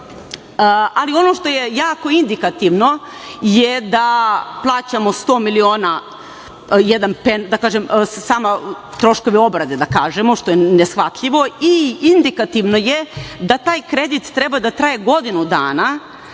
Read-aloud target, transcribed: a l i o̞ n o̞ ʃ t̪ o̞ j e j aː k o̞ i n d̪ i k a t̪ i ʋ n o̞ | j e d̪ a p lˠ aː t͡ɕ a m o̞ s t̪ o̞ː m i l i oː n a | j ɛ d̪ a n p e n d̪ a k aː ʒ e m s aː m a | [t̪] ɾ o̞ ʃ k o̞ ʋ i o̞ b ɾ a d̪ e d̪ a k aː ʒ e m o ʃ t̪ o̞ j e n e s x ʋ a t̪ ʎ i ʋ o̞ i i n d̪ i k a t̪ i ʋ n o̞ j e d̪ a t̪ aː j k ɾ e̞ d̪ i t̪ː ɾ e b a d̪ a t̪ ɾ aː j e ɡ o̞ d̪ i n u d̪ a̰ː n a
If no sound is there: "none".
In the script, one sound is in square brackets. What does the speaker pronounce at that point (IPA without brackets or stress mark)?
t̪